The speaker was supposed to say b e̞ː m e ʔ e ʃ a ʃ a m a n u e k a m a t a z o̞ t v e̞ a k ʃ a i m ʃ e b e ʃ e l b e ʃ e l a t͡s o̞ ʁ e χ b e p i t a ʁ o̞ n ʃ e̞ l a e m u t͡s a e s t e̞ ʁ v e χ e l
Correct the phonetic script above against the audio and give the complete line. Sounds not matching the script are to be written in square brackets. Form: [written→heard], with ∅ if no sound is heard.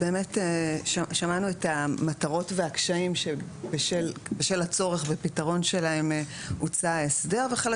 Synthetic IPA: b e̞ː m e [ʔ→t] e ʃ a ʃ a m a n u e [k→t] a m a t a [z→ʁ] o̞ t v e̞ a k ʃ a i m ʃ e b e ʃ e l b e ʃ e l a t͡s o̞ ʁ e χ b e p i t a ʁ o̞ n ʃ e̞ l a e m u t͡s a e s [t→d] e̞ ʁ v e χ e l